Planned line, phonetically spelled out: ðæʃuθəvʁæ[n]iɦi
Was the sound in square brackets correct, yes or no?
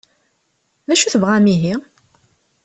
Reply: no